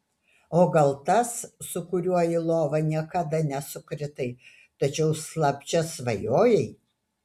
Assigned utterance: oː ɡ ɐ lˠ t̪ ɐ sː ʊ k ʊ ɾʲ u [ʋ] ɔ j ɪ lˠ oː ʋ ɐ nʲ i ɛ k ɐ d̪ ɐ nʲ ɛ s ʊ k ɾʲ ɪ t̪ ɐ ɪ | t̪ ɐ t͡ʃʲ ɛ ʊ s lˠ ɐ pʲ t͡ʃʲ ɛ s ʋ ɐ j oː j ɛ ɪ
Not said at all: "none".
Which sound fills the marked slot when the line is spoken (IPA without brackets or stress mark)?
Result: none